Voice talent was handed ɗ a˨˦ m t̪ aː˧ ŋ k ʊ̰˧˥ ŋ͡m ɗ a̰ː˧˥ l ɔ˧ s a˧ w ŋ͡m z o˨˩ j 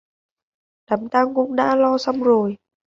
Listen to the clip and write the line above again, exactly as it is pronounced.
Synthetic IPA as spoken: ɗ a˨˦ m t̪ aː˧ ŋ k ʊ̰˧˥ ŋ͡m ɗ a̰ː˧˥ l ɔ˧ s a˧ w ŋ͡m z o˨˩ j